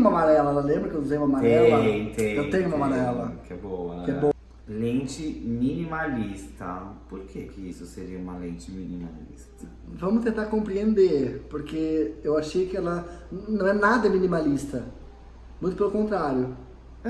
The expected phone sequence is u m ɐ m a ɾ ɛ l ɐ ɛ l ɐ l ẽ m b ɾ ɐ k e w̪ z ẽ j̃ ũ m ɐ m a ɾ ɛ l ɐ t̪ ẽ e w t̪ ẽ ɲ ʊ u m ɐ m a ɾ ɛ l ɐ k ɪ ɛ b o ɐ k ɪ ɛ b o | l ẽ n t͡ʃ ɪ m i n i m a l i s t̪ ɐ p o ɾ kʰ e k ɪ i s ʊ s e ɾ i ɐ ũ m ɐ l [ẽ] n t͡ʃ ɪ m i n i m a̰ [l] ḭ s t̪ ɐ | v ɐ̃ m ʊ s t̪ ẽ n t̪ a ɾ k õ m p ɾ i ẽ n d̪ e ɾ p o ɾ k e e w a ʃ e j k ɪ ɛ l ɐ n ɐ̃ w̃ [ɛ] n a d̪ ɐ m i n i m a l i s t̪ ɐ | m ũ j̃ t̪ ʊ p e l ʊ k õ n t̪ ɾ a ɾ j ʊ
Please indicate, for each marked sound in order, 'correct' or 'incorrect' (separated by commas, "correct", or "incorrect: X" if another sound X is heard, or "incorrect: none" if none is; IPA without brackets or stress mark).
correct, correct, correct